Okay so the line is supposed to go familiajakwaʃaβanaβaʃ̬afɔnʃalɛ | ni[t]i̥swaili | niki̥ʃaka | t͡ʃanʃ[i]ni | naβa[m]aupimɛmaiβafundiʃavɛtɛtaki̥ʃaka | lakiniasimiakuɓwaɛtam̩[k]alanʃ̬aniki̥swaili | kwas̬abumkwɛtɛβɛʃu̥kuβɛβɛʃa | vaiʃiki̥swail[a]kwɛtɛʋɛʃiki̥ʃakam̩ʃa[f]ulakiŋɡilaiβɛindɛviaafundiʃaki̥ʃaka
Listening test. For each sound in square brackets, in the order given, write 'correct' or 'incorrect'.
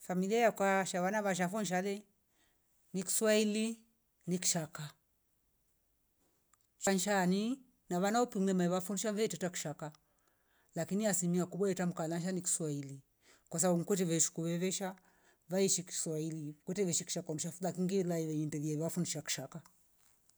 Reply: incorrect, incorrect, incorrect, correct, incorrect, correct

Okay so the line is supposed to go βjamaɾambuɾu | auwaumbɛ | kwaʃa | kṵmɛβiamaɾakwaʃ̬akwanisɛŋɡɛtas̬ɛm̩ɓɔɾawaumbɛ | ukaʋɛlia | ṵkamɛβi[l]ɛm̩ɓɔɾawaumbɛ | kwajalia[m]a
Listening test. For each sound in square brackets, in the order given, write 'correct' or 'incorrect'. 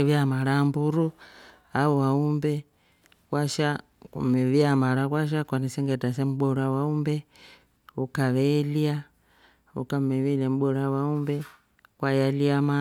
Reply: correct, correct

